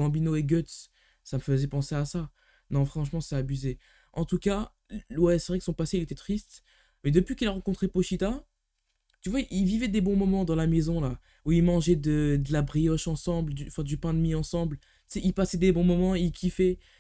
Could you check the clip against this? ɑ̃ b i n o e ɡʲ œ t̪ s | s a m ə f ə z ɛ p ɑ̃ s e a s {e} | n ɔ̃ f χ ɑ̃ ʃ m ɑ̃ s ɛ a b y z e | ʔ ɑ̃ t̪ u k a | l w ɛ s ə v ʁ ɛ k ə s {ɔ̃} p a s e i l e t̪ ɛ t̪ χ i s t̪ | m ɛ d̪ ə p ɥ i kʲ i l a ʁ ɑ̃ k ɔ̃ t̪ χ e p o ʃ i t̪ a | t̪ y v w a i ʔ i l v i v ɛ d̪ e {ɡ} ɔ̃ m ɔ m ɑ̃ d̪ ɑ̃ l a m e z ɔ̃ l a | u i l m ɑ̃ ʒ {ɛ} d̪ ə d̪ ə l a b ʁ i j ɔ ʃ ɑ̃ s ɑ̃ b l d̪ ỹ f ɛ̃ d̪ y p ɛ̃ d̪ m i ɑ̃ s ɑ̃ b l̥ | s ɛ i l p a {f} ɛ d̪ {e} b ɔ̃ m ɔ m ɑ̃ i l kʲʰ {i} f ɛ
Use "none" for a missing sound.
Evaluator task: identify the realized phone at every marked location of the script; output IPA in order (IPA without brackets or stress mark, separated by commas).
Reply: a, ɔ̃, b, ɛ, s, e, i